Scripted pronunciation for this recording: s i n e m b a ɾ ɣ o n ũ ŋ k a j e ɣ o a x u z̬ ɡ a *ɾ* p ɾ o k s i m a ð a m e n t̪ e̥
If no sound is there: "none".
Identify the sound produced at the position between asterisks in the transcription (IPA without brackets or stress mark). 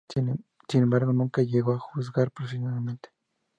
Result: ɾ